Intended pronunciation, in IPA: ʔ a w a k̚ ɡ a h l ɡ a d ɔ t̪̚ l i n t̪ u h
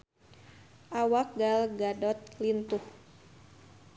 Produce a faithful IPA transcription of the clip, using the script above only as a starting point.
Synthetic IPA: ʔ a w a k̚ ɡ a l ɡ a d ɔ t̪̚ l i n t̪ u h